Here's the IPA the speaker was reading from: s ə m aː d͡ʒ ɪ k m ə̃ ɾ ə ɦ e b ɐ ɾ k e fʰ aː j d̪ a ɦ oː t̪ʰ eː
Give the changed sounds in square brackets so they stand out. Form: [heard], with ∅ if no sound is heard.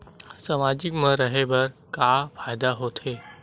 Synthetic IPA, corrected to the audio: s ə m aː d͡ʒ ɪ k m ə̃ ɾ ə ɦ e b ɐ ɾ k [a] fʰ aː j d̪ a ɦ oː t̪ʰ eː